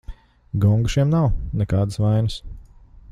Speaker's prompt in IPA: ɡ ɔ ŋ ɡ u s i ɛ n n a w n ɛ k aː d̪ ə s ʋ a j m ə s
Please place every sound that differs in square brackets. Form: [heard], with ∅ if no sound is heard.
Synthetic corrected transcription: ɡ ɔ ŋ ɡ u [ʃ] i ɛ [m] n a w n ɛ k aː d̪ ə s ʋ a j [n] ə s